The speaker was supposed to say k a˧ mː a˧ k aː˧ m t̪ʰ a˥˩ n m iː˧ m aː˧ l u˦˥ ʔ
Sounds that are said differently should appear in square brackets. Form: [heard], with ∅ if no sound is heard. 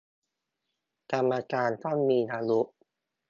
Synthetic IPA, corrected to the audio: k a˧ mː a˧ k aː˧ [n] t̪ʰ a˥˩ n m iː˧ [n] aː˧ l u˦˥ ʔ